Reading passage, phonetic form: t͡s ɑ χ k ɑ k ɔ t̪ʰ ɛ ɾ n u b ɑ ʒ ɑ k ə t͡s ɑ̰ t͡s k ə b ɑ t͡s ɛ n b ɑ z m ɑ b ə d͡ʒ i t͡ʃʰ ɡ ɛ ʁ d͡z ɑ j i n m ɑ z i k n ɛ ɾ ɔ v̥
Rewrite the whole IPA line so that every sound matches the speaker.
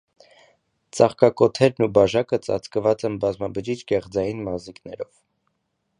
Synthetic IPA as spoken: t͡s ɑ χ k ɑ k ɔ t̪ʰ ɛ ɾ n u b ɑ ʒ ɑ k ə t͡s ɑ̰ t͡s k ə v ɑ t͡s ɛ n b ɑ z m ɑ b ə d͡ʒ i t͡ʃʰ ɡ ɛ ʁ d͡z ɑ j i n m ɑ z i k n ɛ ɾ ɔ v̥